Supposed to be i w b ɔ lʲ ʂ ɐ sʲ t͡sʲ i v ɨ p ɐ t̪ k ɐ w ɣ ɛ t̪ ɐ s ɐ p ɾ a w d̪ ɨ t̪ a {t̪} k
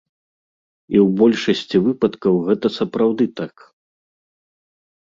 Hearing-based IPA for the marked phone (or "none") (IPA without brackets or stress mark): none